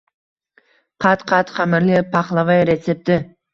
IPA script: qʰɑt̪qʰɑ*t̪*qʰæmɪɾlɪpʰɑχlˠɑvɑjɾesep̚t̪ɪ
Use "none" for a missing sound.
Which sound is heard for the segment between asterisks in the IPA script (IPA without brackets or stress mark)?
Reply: t̪